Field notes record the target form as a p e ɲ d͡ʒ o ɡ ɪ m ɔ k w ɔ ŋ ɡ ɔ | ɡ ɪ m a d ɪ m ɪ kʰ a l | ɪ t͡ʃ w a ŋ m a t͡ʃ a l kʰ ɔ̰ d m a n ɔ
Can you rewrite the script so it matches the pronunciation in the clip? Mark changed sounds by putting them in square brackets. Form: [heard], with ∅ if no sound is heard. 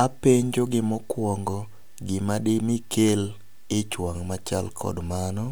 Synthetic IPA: a p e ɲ d͡ʒ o ɡ ɪ m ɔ k w ɔ ŋ ɡ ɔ | ɡ ɪ m a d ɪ m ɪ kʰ [e] l | ɪ t͡ʃ w a ŋ m a t͡ʃ a l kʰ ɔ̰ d m a n ɔ